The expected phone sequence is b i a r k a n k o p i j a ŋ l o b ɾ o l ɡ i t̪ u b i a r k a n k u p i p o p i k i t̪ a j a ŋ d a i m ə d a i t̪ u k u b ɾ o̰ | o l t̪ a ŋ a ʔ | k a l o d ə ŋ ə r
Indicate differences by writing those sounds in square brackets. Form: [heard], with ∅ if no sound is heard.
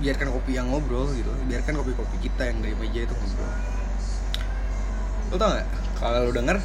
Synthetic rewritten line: b i a r k a n k o p i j a ŋ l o b ɾ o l ɡ i t̪ u b i a r k a n k [o] p i [k] o p i k i t̪ a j a ŋ d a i m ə [d͡ʒ] a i t̪ u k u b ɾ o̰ | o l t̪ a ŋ a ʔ | k a l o d ə ŋ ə r